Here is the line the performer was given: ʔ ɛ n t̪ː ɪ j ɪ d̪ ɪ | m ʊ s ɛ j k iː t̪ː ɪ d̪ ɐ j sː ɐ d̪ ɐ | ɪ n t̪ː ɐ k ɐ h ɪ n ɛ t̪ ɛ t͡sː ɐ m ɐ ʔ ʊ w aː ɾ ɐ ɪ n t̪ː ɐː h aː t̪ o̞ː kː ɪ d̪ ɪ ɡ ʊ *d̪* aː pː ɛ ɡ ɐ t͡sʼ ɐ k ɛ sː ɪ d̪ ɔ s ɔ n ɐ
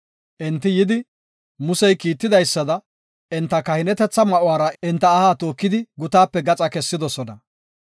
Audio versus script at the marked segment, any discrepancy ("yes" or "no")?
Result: yes